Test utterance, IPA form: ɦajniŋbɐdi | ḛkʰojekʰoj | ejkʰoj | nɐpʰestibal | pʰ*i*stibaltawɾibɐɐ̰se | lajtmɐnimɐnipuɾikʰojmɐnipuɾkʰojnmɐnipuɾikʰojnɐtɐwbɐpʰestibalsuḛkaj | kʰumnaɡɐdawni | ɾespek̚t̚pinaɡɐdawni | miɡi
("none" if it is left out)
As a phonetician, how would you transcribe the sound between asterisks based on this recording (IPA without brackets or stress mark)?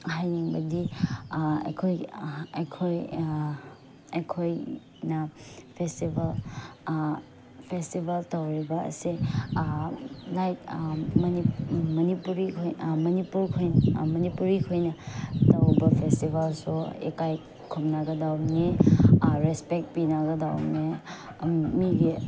e